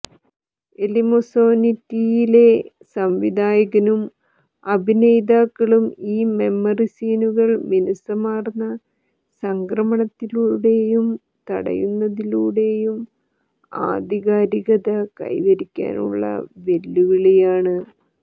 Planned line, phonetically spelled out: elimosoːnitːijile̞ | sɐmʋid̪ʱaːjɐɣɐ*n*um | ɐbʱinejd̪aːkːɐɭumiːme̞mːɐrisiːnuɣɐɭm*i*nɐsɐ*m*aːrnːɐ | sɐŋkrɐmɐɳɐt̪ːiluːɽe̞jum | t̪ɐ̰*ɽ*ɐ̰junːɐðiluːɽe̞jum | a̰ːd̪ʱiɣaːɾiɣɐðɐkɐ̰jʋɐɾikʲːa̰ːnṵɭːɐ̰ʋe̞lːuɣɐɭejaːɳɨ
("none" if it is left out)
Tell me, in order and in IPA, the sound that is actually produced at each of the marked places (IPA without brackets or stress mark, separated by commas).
n, i, m, ɽ